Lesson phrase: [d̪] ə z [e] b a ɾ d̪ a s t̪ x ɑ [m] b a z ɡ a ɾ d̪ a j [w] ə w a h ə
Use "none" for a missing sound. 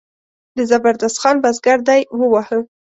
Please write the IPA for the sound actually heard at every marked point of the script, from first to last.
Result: d̪, a, n, w

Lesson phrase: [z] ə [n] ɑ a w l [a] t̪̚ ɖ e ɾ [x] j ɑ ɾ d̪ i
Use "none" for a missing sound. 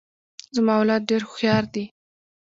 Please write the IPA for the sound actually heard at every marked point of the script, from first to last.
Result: z, m, ɑ, x

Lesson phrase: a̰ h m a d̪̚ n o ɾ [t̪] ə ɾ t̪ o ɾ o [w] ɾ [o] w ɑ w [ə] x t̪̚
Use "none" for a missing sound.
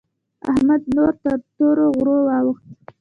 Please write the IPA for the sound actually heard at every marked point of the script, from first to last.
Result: t̪, ɣ, o, ə

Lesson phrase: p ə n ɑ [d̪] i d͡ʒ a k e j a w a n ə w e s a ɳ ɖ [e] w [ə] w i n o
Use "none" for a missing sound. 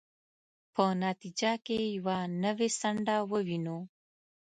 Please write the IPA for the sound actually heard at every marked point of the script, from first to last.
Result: t̪, a, ə

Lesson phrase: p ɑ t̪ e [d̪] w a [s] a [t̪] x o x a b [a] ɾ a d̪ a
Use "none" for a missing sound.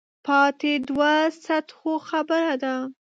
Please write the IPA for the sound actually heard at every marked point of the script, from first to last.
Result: d̪, s, t̪, ə

